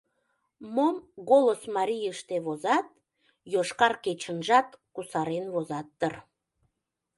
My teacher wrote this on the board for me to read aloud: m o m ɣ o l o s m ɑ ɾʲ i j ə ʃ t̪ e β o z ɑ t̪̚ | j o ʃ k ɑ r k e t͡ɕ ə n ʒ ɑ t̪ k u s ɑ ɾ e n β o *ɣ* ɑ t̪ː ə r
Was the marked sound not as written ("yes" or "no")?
yes